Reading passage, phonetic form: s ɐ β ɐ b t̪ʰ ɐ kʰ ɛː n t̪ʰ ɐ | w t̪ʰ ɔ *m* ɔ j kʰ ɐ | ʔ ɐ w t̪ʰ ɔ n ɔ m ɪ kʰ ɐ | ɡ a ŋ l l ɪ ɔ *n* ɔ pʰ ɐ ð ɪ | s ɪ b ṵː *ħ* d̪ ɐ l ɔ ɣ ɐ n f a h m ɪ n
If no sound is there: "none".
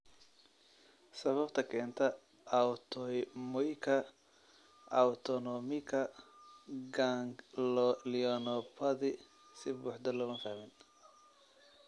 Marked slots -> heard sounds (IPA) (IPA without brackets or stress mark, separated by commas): m, n, ħ